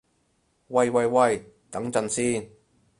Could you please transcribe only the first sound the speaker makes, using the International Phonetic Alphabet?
w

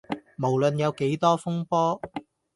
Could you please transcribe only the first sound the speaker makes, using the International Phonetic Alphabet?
m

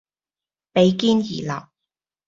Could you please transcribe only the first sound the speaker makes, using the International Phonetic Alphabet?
p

